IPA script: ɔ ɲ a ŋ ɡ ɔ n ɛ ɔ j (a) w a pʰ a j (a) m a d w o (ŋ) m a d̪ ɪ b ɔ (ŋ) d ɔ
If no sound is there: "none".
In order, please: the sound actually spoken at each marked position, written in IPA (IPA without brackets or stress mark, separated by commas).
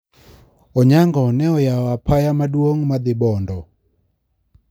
a, a, ŋ, n